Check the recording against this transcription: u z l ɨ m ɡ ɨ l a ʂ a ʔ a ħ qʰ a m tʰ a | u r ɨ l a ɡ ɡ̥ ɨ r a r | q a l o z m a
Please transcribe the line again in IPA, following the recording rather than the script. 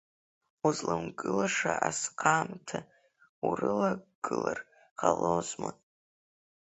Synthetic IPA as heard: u z l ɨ m ɡ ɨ l a ʂ a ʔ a s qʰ a m tʰ a | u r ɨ l a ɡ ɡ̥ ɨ l a r | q a l o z m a